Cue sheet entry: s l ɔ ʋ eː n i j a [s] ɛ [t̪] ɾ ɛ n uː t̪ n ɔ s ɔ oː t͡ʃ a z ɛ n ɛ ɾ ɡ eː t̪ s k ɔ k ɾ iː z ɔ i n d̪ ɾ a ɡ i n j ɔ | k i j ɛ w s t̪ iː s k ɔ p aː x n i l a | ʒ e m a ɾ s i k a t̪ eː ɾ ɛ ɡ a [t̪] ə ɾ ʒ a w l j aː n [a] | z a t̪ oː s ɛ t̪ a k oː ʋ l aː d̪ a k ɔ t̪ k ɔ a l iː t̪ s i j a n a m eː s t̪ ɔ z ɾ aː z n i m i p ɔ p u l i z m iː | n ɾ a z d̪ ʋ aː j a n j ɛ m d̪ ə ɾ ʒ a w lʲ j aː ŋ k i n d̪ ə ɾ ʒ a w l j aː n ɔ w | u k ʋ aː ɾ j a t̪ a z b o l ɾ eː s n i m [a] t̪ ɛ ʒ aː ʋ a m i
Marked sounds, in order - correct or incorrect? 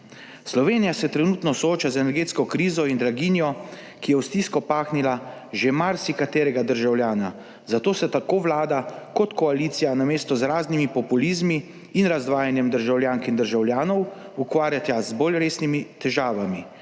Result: correct, correct, incorrect: d̪, correct, incorrect: i

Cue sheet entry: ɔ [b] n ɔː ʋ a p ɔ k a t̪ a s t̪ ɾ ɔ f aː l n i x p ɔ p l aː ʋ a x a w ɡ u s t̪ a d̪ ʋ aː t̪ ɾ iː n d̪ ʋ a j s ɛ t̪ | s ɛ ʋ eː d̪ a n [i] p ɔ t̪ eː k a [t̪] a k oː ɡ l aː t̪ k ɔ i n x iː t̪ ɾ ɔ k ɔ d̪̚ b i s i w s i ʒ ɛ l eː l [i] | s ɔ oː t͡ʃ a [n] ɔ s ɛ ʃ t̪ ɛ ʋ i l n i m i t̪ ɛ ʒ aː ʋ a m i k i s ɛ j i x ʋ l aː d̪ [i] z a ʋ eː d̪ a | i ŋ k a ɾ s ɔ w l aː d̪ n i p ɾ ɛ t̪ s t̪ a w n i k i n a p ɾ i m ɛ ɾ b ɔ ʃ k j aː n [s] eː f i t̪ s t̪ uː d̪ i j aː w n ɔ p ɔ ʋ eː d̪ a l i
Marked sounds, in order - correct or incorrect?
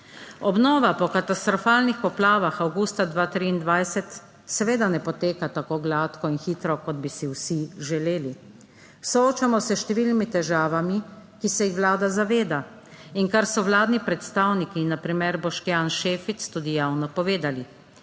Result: correct, incorrect: ɛ, correct, correct, incorrect: m, incorrect: a, incorrect: ʃ

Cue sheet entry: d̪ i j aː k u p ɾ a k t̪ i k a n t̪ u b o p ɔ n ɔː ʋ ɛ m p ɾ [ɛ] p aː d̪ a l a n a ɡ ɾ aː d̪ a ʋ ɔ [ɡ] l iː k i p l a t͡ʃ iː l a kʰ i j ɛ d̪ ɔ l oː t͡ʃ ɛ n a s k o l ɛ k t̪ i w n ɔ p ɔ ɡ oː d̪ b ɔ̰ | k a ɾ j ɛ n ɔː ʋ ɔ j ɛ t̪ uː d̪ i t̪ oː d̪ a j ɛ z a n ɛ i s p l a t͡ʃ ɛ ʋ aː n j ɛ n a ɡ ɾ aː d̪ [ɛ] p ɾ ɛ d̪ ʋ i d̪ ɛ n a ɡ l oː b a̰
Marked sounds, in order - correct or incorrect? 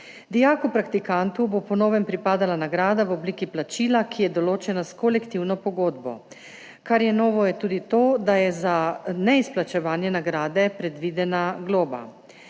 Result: incorrect: i, incorrect: b, correct

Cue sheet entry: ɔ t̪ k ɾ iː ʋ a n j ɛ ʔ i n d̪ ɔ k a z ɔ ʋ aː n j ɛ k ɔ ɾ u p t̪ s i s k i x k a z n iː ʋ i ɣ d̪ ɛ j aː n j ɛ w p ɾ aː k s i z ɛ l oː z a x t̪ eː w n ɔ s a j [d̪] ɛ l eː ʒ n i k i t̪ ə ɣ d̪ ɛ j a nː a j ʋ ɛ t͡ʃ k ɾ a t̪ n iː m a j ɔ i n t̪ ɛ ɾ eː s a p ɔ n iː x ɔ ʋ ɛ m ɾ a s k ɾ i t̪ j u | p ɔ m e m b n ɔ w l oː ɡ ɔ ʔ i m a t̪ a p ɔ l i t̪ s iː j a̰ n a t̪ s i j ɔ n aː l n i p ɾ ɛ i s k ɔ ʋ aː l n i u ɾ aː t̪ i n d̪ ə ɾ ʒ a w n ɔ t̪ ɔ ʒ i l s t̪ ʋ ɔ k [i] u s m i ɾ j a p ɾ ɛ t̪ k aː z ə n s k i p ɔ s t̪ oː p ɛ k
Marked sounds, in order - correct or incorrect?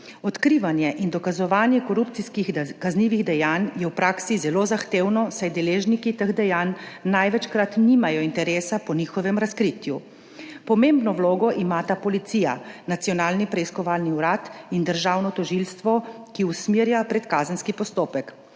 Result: correct, correct

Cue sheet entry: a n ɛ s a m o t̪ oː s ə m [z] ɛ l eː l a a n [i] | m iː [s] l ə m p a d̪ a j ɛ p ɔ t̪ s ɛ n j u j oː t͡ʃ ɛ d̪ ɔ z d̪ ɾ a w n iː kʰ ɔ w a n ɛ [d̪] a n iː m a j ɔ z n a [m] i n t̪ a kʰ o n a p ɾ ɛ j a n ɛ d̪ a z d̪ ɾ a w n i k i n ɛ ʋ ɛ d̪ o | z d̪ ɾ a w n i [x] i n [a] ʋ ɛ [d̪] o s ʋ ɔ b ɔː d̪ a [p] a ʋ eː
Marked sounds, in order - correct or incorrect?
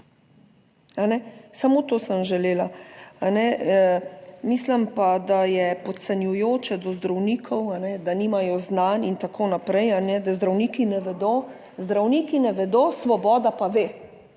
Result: incorrect: ʒ, incorrect: ɛ, correct, correct, incorrect: n, incorrect: k, incorrect: ɛ, correct, correct

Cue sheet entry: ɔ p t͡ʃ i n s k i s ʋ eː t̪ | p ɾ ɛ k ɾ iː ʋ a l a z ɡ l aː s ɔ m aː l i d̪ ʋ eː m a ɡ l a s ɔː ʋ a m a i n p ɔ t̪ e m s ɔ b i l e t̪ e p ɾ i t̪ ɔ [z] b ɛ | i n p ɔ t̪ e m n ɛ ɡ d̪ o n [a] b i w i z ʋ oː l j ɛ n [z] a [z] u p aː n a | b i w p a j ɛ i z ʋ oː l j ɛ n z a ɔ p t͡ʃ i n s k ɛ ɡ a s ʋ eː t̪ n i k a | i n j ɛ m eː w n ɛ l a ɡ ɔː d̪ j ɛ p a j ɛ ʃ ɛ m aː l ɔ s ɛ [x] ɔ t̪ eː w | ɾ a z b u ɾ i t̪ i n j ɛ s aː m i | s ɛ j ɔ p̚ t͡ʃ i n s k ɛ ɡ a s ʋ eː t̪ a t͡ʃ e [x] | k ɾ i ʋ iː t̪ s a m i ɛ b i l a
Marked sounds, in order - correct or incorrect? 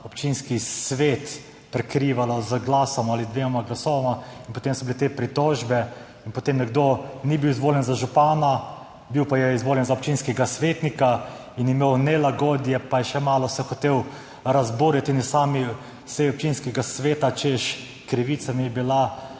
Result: incorrect: ʒ, incorrect: i, correct, incorrect: ʒ, correct, incorrect: ʃ

